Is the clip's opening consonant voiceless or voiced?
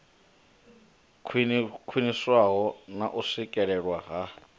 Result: voiceless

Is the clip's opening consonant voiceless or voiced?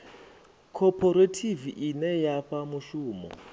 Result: voiceless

